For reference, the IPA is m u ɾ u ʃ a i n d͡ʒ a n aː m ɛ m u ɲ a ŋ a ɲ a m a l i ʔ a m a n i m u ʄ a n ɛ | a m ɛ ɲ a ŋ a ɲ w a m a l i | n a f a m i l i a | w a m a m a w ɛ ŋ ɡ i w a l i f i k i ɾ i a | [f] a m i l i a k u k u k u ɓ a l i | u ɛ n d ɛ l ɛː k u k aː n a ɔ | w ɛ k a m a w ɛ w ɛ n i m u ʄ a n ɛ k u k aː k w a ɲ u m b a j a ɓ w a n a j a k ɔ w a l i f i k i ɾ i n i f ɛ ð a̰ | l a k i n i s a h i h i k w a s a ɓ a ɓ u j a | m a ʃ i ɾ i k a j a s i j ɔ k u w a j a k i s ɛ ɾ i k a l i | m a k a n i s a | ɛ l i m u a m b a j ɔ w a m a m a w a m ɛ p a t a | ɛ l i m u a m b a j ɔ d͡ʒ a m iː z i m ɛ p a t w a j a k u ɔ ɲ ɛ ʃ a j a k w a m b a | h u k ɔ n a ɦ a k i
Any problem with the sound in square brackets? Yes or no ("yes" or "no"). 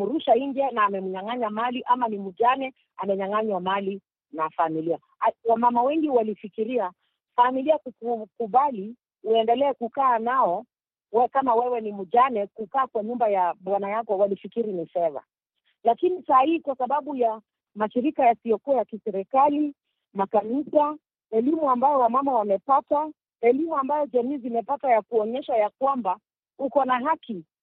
no